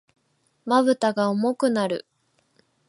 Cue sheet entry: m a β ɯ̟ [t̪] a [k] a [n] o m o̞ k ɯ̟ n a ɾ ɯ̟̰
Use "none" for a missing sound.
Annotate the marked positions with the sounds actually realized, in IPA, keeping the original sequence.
t̪, ɡ, none

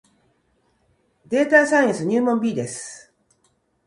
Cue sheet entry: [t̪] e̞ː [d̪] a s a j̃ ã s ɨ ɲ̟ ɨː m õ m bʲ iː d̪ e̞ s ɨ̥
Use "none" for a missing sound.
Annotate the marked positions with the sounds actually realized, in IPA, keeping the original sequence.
d̪, t̪

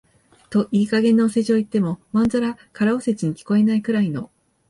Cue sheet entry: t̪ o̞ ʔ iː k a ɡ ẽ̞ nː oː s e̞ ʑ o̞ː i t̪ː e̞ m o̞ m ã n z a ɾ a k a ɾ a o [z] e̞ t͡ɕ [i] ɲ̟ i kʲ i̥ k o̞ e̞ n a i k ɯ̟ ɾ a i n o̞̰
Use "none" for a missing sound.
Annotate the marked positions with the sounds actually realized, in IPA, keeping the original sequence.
s, i

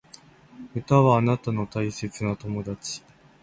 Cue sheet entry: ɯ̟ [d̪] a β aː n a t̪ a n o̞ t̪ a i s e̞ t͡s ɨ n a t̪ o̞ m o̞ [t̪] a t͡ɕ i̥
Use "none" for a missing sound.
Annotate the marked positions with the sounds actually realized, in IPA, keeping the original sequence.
t̪, d̪

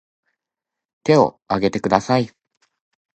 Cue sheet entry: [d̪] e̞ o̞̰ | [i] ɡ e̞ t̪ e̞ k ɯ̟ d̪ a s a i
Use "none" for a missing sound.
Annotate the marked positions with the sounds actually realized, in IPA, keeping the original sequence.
t̪, a

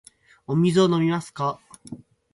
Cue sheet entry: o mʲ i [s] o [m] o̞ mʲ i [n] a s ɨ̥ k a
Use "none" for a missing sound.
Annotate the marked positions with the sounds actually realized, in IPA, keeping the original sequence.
z, n, m

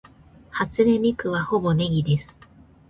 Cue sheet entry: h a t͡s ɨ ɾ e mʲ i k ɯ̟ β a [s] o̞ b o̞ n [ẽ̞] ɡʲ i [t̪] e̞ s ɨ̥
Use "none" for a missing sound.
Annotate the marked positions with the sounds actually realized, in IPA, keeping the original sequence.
h, e̞, d̪

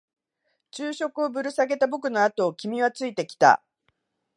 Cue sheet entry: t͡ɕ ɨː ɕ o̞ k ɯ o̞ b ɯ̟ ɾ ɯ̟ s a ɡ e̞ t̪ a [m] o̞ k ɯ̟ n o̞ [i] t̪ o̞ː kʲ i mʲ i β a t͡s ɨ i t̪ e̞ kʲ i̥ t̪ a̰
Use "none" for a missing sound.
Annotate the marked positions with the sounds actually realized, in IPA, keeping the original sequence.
b, a

